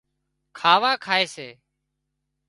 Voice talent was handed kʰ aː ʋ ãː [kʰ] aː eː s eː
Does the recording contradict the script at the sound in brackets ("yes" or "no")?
no